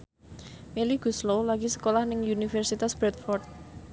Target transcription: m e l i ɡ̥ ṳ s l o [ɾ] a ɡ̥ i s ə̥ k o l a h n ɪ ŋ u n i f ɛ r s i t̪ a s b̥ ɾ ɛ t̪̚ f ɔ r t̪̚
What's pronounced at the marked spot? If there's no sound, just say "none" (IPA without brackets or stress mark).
l